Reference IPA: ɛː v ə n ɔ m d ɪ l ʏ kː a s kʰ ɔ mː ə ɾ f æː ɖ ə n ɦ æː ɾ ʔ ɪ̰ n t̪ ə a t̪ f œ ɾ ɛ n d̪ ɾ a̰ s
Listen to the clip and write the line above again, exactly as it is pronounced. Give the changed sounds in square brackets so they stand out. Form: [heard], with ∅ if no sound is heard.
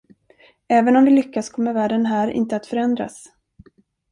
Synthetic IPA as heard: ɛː v ə n ɔ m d ɪ l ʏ kː a s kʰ ɔ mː ə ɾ [v] æː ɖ ə n ɦ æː ɾ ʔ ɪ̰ n t̪ ə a t̪ f œ ɾ ɛ n d̪ ɾ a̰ s